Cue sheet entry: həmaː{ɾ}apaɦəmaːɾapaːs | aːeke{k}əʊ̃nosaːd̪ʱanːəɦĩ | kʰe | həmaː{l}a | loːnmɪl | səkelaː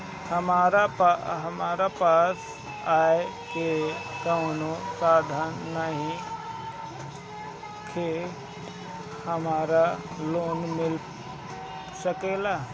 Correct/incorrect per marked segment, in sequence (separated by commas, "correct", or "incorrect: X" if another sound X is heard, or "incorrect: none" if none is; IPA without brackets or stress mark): correct, correct, incorrect: ɾ